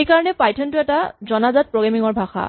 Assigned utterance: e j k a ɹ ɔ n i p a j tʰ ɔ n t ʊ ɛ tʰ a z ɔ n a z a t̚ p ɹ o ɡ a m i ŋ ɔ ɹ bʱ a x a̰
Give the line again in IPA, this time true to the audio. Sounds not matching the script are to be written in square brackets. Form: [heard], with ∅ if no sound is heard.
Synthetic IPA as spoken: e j k a ɹ ɔ n [ɛ] p a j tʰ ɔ n t ʊ ɛ [t] a z ɔ n a z a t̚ p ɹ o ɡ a m i ŋ ɔ ɹ bʱ a x a̰